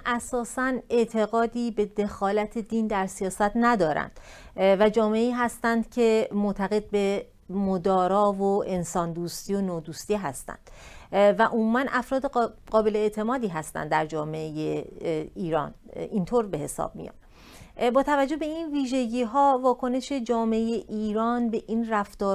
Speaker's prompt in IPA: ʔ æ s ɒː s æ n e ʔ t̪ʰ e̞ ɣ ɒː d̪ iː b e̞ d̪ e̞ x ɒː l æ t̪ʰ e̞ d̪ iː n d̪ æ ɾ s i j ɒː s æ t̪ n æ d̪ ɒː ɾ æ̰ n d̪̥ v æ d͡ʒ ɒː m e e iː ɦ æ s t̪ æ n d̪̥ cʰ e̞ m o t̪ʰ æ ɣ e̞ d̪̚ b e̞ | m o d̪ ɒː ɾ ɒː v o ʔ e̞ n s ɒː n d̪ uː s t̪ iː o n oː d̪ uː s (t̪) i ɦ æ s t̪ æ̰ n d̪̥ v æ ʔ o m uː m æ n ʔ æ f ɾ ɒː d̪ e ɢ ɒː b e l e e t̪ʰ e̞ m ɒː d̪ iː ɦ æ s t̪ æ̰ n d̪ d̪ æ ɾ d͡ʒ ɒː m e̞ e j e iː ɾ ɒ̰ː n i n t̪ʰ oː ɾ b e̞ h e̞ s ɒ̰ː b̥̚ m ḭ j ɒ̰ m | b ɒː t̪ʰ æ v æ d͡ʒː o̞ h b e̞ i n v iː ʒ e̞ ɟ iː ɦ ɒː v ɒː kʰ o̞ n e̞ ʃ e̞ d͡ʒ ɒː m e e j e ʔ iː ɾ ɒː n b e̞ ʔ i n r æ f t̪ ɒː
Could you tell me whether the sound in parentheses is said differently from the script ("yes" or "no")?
no